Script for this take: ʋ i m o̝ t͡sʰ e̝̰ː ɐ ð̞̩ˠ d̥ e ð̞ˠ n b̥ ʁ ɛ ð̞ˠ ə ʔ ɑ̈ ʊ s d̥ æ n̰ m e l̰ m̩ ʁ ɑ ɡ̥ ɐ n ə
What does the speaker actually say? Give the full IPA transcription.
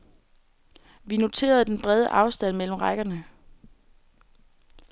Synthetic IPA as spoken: ʋ i n o̝ t͡sʰ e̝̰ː ɐ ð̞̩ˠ d̥ e n b̥ ʁ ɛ ð̞ˠ ə ʔ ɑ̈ ʊ s d̥ æ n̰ m e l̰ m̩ ʁ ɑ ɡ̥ ɐ n ə